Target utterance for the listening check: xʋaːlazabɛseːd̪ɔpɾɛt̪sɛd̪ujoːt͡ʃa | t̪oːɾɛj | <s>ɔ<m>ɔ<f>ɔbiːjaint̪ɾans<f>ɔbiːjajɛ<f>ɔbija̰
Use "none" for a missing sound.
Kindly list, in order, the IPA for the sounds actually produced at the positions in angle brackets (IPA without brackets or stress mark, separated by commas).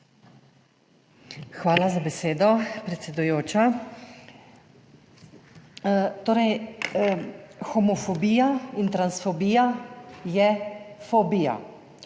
x, m, f, f, f